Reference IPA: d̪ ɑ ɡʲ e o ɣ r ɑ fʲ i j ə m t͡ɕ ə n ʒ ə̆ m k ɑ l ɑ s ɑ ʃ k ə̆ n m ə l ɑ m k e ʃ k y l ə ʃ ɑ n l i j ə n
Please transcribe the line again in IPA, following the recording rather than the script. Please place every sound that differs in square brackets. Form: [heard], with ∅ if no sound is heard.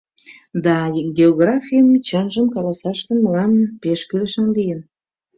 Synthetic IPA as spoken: d̪ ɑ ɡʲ e o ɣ r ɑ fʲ i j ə m t͡ɕ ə n ʒ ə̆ m k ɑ l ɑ s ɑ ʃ k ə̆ n m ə l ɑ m [p] e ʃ k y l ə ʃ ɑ n l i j ə n